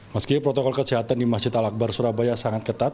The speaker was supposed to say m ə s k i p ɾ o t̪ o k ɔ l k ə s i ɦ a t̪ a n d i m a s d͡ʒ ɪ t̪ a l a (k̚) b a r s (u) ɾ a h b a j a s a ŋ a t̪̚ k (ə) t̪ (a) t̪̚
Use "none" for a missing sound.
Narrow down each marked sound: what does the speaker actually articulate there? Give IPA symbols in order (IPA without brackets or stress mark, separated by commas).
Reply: k̚, u, ə, a